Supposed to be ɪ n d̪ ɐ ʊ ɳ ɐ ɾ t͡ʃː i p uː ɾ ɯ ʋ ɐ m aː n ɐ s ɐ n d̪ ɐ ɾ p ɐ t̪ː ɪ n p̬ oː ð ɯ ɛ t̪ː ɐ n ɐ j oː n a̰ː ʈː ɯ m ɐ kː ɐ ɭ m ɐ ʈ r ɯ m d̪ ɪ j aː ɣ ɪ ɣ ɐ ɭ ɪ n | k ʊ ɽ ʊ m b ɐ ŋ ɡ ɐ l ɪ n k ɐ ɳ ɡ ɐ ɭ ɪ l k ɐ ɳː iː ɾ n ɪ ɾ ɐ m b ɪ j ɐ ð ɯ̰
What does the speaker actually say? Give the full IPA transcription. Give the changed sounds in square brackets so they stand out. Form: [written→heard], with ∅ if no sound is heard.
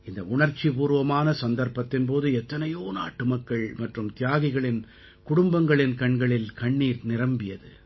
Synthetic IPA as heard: ɪ n d̪ ɐ ʊ ɳ ɐ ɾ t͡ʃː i p uː ɾ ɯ ʋ ɐ m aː n ɐ s ɐ n d̪ ɐ ɾ p ɐ t̪ː ɪ n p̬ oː ð ɯ ɛ t̪ː ɐ n ɐ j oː n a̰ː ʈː ɯ m ɐ kː ɐ ɭ m ɐ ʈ r ɯ m [d̪→t̪] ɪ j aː ɣ ɪ ɣ ɐ ɭ ɪ n | k ʊ ɽ ʊ m b ɐ ŋ ɡ ɐ [l→ɭ] ɪ n k ɐ ɳ ɡ ɐ ɭ ɪ l k ɐ ɳː iː ɾ n ɪ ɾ ɐ m b ɪ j ɐ ð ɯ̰

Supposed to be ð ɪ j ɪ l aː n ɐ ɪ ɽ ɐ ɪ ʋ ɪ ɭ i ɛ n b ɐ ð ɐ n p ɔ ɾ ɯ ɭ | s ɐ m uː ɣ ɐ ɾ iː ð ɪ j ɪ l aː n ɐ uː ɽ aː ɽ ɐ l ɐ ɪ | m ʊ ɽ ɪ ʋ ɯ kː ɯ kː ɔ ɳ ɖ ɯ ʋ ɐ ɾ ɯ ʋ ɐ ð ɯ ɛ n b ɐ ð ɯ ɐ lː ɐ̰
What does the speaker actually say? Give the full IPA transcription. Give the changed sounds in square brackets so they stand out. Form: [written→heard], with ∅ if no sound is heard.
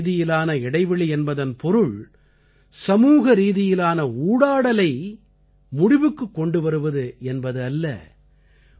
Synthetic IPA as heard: ð ɪ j ɪ l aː n ɐ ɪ ɽ ɐ ɪ ʋ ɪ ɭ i ɛ n b ɐ ð ɐ n p ɔ ɾ ɯ ɭ | s ɐ m uː ɣ ɐ ɾ iː ð ɪ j ɪ l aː n ɐ uː ɽ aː ɽ ɐ l ɐ ɪ | m ʊ ɽ ɪ ʋ ɯ kː ɯ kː ɔ ɳ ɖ ɯ ʋ ɐ ɾ ɯ ʋ ɐ ð ɯ ɛ n b ɐ ð ɯ ɐ lː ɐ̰

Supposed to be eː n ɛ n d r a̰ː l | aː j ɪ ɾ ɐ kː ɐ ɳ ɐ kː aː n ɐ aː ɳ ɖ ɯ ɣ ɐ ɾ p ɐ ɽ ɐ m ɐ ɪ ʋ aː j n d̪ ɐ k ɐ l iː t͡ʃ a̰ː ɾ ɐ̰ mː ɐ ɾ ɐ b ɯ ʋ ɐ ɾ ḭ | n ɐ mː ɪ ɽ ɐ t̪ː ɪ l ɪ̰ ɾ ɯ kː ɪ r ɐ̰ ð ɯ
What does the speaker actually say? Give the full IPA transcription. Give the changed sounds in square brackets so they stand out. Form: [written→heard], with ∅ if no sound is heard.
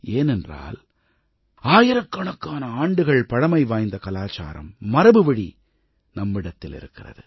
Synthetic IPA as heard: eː n ɛ n d r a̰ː l | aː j ɪ ɾ ɐ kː ɐ ɳ ɐ kː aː n ɐ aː ɳ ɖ ɯ ɣ ɐ [ɾ→ɭ] p ɐ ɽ ɐ m ɐ ɪ ʋ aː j n d̪ ɐ k ɐ l [iː→aː] t͡ʃ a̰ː ɾ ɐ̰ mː ɐ ɾ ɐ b ɯ ʋ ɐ [ɾ→ɽ] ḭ | n ɐ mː ɪ ɽ ɐ t̪ː ɪ l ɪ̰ ɾ ɯ kː ɪ r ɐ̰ ð ɯ

